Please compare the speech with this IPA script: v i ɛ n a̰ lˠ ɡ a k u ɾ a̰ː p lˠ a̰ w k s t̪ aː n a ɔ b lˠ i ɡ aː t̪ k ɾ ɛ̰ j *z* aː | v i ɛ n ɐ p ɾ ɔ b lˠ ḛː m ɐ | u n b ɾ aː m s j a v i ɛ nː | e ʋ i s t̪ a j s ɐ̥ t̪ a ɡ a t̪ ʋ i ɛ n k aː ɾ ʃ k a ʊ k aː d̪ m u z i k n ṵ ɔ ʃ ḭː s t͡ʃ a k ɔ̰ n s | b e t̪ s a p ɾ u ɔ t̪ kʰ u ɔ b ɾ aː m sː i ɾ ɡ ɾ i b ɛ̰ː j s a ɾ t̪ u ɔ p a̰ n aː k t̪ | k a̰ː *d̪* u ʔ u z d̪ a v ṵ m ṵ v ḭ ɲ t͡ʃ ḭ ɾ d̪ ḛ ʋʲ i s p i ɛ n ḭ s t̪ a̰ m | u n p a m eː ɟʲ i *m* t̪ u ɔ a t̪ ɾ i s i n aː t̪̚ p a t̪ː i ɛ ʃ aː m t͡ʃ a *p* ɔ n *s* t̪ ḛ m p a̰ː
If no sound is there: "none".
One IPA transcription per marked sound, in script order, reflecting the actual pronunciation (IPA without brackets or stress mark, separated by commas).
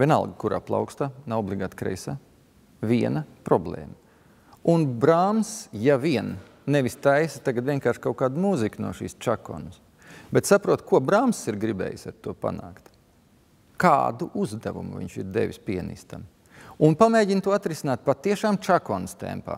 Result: s, d̪, n, k, s